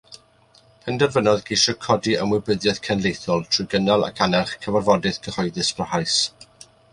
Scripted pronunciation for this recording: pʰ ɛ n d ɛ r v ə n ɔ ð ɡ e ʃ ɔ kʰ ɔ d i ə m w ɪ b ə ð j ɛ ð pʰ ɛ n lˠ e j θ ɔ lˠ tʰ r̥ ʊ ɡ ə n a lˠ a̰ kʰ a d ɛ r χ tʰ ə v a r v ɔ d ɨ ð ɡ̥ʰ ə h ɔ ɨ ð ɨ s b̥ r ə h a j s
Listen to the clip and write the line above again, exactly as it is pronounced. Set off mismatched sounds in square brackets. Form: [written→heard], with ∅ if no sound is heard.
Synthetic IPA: pʰ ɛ n d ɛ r v ə n ɔ ð ɡ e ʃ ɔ kʰ ɔ d i ə m w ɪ b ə ð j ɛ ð [pʰ→kʰ] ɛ n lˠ e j θ ɔ lˠ tʰ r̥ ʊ ɡ ə n a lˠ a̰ kʰ a [d→n] ɛ r χ [tʰ→kʰ] ə v a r v ɔ d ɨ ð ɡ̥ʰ ə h ɔ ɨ ð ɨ s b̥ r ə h a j s